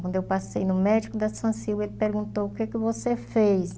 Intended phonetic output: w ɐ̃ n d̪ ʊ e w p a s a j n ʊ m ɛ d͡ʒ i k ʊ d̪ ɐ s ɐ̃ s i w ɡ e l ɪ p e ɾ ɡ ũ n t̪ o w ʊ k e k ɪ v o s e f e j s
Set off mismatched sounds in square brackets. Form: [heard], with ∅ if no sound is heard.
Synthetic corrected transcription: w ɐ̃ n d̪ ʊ e w p a s [e] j n ʊ m ɛ d͡ʒ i k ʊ d̪ ɐ s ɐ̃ s i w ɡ e l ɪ p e ɾ ɡ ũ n t̪ o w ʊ k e k ɪ v o s e f e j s

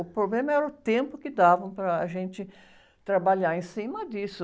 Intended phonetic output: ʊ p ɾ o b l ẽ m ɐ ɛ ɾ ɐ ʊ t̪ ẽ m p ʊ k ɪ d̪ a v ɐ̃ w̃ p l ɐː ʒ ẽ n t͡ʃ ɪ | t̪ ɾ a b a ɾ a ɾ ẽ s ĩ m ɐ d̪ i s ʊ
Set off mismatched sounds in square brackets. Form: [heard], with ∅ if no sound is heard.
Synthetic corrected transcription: ʊ p ɾ o b l ẽ m ɐ ɛ ɾ ɐ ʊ t̪ ẽ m p ʊ k ɪ d̪ a v ɐ̃ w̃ p [ɾ] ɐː ʒ ẽ n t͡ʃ ɪ | t̪ ɾ a b a [ʎ] a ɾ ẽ s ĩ m ɐ d̪ i s ʊ

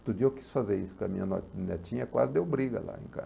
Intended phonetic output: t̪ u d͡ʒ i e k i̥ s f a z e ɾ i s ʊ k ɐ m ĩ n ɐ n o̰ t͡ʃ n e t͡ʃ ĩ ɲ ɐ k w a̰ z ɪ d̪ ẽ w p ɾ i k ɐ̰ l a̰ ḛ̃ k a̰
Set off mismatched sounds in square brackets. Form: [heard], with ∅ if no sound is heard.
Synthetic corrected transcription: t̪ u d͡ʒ i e k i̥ s f a z e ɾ i s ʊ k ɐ m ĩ [ɲ] ɐ n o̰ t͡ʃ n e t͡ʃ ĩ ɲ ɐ k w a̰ z ɪ d̪ [e] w [b] ɾ i [ɡ] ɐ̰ l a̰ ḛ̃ k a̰

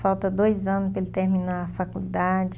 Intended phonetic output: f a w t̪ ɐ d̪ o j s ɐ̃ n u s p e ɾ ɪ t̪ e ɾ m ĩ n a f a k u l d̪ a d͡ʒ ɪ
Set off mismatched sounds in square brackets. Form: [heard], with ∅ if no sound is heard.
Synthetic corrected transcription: f a w t̪ ɐ d̪ o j [z] ɐ̃ n [ʊ] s p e [l] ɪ t̪ e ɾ m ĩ n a f a k u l d̪ a d͡ʒ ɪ

